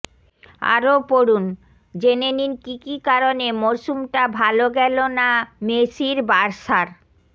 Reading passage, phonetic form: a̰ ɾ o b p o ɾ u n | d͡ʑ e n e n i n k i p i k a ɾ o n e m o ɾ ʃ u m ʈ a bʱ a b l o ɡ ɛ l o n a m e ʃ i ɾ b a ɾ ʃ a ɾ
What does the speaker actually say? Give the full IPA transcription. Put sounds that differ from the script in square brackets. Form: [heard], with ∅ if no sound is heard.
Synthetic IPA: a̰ ɾ o [∅] p o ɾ u n | d͡ʑ e n e n i n k i [k] i k a ɾ o n e m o ɾ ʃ u m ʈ a bʱ a [∅] l o ɡ ɛ l o n a m e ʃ i ɾ b a ɾ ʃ a ɾ